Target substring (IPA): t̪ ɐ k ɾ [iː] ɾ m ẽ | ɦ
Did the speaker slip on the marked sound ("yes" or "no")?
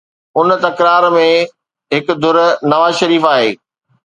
yes